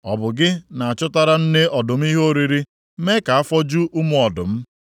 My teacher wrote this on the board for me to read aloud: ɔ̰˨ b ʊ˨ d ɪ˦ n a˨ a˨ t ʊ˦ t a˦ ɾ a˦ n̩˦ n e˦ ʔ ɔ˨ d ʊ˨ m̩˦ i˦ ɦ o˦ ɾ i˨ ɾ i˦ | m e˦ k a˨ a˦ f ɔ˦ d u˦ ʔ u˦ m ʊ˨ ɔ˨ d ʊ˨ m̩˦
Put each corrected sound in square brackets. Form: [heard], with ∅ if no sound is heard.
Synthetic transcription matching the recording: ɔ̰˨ b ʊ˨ [ɡ] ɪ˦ n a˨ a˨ [t͡ʃ] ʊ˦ t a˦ ɾ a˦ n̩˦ n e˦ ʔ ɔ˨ d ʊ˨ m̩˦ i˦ ɦ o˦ ɾ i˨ ɾ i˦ | m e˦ k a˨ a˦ f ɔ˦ [d͡ʒ] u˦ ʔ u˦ m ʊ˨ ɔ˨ d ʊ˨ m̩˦